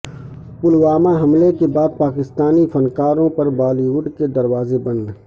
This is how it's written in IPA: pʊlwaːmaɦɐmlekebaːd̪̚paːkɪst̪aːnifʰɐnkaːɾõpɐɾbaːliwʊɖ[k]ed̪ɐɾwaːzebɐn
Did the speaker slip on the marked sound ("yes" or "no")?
no